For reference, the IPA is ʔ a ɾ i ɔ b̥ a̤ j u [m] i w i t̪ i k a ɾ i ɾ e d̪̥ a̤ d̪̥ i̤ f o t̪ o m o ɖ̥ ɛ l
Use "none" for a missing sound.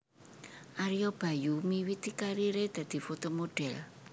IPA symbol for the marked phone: m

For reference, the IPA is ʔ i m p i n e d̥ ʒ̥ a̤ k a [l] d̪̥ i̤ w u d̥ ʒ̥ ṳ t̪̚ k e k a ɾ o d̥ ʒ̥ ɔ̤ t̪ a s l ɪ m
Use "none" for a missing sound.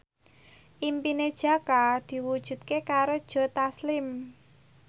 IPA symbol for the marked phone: none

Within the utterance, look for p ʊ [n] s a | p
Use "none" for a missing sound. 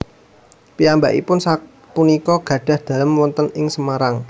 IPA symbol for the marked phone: n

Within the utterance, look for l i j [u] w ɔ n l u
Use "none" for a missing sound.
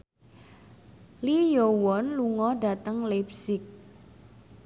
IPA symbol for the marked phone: o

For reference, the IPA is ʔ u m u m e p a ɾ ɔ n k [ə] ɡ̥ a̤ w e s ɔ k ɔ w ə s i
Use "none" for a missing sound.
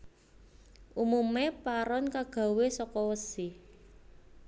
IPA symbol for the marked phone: a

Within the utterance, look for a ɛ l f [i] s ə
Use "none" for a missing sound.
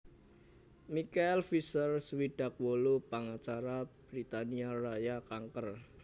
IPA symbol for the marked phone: i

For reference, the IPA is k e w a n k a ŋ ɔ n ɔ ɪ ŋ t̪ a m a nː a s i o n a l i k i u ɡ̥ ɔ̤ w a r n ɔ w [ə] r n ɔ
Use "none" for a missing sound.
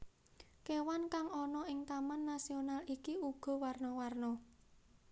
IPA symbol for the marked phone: a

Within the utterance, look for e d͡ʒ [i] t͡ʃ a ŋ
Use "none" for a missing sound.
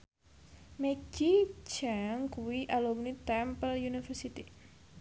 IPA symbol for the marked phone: i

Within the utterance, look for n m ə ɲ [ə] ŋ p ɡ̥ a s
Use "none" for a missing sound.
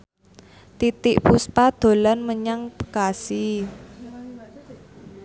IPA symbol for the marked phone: a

